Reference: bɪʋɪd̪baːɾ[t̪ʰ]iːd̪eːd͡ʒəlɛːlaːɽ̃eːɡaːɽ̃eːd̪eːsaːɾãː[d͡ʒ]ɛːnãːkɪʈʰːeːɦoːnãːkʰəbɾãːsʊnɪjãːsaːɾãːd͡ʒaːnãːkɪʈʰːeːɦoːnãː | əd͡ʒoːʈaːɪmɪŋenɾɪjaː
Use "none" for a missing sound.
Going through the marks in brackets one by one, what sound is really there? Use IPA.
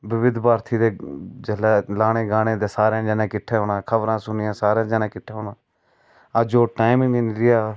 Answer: t̪ʰ, d͡ʒ

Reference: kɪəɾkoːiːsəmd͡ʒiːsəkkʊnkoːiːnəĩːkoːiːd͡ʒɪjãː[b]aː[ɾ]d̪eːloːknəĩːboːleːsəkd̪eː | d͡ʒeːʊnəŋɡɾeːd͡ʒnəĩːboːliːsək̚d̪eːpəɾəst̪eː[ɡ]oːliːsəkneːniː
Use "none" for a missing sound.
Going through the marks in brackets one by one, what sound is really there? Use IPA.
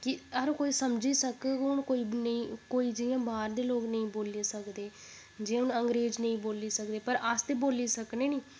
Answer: b, ɾ, b

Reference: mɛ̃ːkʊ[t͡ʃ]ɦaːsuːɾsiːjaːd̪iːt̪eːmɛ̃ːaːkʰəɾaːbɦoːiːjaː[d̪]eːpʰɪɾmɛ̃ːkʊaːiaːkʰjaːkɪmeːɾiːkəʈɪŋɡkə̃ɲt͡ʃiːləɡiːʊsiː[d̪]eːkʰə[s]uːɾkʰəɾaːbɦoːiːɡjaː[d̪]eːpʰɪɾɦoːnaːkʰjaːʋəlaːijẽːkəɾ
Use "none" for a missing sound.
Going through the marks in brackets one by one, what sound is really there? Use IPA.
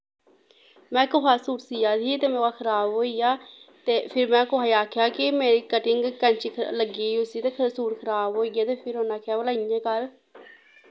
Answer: none, t̪, t̪, s, t̪

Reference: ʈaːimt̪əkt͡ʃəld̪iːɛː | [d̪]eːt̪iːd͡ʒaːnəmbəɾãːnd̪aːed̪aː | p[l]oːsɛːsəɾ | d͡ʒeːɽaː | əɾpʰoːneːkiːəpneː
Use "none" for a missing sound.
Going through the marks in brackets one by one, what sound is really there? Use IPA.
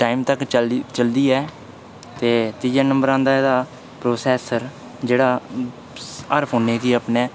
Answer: t̪, ɾ

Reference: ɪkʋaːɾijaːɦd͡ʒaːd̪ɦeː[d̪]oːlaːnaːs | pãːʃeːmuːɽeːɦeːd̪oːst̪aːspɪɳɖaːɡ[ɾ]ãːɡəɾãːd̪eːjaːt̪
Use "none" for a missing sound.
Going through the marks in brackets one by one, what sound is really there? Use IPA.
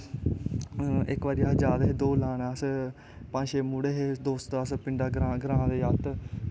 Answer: d̪, ɾ

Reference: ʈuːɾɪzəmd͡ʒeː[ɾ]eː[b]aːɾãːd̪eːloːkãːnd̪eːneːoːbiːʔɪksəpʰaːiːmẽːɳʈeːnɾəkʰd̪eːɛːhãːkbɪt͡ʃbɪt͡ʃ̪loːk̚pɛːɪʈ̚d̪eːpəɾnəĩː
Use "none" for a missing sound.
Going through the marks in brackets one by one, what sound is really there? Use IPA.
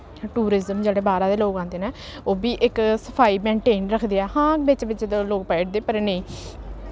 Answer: ɽ, b

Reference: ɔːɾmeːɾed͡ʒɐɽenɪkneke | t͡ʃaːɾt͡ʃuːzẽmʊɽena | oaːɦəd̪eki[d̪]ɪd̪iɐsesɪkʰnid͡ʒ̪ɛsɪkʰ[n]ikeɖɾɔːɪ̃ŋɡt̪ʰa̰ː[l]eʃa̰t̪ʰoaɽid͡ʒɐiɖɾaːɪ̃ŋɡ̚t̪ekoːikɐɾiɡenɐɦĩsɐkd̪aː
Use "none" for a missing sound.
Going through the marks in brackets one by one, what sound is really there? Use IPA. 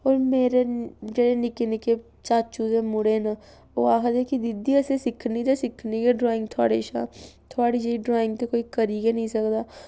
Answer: d̪, n, ɽ

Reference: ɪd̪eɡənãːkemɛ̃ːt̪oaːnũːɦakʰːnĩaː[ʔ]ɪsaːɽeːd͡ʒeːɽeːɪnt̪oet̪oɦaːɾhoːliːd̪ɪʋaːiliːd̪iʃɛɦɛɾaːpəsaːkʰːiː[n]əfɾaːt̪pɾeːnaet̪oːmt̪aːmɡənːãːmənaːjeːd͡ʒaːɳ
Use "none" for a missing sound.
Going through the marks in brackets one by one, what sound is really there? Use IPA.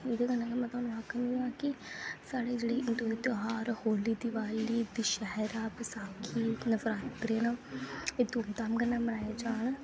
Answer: k, n

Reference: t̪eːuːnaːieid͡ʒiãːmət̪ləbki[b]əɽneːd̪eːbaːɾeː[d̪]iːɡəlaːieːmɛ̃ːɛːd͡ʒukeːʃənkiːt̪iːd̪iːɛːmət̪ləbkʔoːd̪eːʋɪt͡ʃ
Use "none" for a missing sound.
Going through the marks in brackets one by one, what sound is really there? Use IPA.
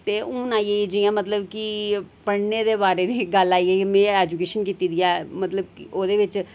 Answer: p, d̪

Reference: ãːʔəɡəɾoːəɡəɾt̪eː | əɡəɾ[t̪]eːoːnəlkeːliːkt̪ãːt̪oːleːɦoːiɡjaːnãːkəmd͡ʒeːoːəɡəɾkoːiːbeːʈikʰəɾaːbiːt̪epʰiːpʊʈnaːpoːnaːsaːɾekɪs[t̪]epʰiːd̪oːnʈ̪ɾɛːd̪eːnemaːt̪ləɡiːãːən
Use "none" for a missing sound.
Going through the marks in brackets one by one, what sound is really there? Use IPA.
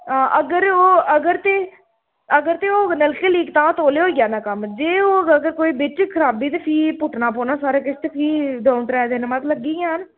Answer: t̪, t̪

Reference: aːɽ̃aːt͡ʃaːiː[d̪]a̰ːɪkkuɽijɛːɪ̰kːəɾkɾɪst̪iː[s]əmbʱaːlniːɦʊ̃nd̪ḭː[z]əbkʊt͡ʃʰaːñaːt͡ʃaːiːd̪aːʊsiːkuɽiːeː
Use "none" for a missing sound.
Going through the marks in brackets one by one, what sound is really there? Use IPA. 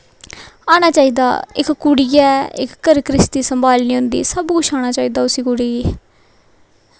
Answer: d̪, s, s

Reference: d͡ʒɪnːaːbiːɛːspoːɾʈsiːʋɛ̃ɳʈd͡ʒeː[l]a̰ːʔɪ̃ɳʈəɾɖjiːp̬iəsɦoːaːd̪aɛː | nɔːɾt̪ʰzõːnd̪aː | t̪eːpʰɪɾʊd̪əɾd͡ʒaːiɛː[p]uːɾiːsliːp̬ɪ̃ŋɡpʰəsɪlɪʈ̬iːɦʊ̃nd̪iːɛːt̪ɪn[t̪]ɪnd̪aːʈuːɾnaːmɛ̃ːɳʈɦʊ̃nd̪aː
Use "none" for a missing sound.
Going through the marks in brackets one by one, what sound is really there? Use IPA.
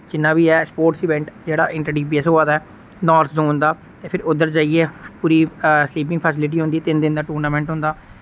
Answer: ɽ, p, d̪

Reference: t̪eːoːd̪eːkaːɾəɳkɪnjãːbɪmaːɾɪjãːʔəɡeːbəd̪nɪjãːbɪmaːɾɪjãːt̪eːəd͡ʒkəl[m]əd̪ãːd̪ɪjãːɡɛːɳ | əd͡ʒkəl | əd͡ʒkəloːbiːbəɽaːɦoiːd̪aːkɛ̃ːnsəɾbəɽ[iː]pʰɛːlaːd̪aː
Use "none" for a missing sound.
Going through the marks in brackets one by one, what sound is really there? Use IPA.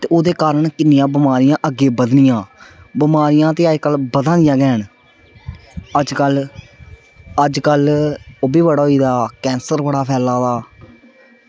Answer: b, aː

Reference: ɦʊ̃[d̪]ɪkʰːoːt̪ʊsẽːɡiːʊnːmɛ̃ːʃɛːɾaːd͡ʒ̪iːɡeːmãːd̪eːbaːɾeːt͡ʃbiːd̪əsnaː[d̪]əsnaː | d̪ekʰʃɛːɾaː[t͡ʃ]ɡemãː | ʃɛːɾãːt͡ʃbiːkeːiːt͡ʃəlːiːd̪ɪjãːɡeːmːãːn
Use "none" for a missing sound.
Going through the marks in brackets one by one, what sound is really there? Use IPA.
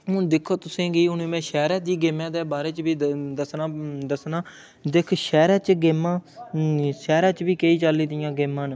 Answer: d̪, d̪, t͡ʃ

